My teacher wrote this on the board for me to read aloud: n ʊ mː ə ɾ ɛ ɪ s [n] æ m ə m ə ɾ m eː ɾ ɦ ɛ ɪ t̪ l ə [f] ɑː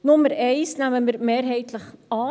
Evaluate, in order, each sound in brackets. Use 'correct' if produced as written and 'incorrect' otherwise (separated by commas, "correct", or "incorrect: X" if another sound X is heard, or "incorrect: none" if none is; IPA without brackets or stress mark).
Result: correct, incorrect: χ